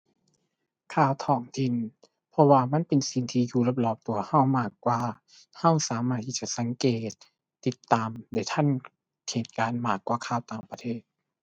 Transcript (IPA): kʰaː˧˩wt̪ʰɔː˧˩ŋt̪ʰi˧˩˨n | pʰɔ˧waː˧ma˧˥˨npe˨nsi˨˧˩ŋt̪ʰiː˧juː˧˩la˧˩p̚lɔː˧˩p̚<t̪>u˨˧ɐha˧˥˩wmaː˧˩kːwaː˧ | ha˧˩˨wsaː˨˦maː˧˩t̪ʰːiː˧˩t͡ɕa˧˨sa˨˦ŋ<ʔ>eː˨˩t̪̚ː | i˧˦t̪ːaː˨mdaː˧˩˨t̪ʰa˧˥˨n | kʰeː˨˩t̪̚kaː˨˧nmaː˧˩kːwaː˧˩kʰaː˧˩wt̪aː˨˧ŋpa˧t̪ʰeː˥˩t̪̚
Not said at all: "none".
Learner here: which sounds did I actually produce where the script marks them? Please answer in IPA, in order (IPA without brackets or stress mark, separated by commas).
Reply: t̪, k